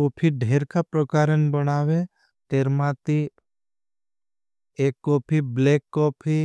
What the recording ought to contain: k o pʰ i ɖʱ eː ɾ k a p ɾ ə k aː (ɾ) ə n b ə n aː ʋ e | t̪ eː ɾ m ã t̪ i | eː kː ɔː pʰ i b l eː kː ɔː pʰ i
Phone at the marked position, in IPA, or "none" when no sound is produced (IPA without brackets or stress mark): ɾ